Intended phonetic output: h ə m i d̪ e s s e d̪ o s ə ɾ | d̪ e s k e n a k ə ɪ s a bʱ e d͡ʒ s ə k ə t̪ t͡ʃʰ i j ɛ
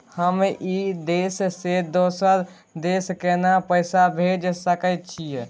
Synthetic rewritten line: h ə m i d̪ e s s e d̪ o s ə ɾ | d̪ e s k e n a p ə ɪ s a bʱ e d͡ʒ s ə k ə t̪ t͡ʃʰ i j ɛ

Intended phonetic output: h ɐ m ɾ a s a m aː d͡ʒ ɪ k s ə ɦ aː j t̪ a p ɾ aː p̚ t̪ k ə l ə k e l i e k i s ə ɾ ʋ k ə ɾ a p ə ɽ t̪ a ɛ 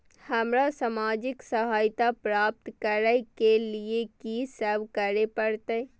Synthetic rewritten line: h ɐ m ɾ a s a m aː d͡ʒ ɪ k s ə ɦ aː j t̪ a p ɾ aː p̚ t̪ k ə ɾ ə k e l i e k i s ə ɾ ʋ k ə ɾ e p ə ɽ t̪ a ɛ

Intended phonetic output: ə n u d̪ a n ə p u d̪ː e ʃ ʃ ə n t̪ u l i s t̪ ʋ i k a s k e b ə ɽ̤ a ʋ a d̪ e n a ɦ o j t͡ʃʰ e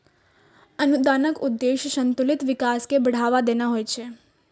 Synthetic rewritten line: ə n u d̪ a n ə k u d̪ː e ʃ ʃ ə n t̪ u l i t̪ ʋ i k a s k e b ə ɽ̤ a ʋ a d̪ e n a ɦ o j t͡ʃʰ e

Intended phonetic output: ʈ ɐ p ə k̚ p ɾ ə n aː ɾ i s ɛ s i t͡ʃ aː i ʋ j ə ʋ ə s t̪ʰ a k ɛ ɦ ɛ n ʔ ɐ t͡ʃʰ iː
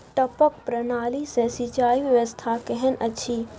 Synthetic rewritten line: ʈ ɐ p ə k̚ p ɾ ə n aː l i s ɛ s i t͡ʃ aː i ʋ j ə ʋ ə s t̪ʰ a k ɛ ɦ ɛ n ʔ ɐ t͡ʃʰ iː

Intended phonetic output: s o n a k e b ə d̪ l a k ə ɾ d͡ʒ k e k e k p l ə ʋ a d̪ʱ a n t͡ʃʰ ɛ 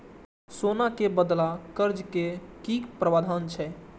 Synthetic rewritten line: s o n a k e b ə d̪ l a k ə ɾ d͡ʒ k e k i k p ɾ ə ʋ a d̪ʱ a n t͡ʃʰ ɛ

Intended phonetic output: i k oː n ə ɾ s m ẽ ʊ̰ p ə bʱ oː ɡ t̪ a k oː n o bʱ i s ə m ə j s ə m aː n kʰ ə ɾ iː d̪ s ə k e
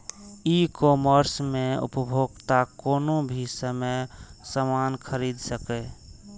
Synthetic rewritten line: i k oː m ə ɾ s m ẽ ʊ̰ p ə bʱ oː ɡ t̪ a k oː n o bʱ i s ə m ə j s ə m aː n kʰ ə ɾ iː d̪ s ə k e

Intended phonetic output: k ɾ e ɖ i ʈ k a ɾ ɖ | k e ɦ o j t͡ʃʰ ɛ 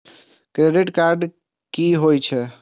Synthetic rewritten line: k ɾ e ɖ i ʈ k a ɾ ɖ | k i ɦ o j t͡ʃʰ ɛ

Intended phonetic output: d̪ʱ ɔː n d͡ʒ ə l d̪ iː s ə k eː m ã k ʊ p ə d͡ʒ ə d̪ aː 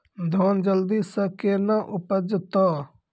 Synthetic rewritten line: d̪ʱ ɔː n d͡ʒ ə l d̪ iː s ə k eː n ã ʔ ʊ p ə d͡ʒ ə t̪ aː

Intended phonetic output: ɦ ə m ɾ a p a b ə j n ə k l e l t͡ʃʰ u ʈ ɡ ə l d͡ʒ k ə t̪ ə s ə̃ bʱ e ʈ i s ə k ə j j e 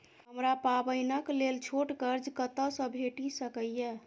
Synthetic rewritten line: ɦ ə m ɾ a p a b ə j n ə k l e l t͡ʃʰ o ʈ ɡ ə ɾ d͡ʒ k ə t̪ ə s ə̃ bʱ e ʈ i s ə k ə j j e

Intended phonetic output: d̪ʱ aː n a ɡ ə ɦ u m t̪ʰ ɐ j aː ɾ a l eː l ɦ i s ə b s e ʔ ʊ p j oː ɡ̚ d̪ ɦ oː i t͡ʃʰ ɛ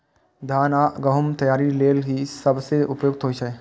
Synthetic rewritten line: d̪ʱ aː n a ɡ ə ɦ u m t̪ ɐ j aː ɾ i l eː l ɦ i s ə b s e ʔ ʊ p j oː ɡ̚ t̪ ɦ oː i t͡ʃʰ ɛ

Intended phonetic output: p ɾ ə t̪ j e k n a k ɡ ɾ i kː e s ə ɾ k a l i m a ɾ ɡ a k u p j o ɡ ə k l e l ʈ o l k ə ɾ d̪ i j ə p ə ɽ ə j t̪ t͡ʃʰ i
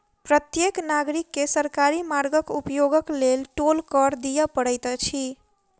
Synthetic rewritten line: p ɾ ə t̪ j e k n a ɡ ɾ i kː e s ə ɾ k a ɾ i m a ɾ ɡ ə k u p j o ɡ ə k l e l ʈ o l k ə ɾ d̪ i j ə p ə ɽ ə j t̪ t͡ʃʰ i

